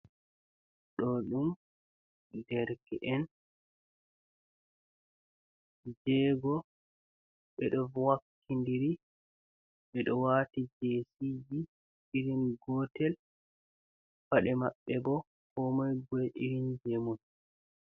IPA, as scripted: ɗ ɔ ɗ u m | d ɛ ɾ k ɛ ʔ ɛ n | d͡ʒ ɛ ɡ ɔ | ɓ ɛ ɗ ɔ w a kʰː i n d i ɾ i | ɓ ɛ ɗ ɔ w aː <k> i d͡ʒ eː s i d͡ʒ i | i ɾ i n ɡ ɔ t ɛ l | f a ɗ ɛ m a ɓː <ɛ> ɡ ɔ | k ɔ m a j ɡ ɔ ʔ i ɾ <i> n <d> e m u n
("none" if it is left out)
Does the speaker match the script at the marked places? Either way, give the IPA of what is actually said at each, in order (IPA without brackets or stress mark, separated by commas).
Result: t, ɛ, i, d͡ʒ